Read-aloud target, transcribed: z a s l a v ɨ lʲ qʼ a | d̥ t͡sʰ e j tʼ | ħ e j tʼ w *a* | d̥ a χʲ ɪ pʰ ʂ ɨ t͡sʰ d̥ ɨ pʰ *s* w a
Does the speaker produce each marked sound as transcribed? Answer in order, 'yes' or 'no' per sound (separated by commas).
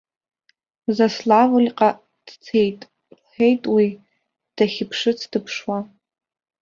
no, no